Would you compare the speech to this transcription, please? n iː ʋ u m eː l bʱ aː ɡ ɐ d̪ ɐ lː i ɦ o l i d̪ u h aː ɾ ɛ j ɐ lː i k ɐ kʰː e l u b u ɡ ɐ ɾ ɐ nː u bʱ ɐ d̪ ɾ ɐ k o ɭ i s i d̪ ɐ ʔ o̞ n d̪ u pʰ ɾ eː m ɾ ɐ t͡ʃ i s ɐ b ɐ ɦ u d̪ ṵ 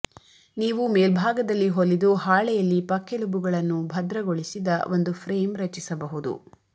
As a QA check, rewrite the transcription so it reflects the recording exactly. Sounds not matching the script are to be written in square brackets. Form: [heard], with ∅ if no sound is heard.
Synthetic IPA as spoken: n iː ʋ u m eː l bʱ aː ɡ ɐ d̪ ɐ lː i ɦ o l i d̪ u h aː [ɭ] ɛ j ɐ lː i [p] ɐ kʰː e l u b u ɡ ɐ [ɭ] ɐ nː u bʱ ɐ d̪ ɾ ɐ [ɡ] o ɭ i s i d̪ ɐ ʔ o̞ n d̪ u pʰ ɾ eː m ɾ ɐ t͡ʃ i s ɐ b ɐ ɦ u d̪ ṵ